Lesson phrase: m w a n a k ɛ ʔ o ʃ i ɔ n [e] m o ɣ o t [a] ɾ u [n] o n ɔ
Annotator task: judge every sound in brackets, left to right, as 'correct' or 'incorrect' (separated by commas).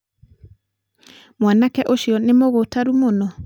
correct, correct, incorrect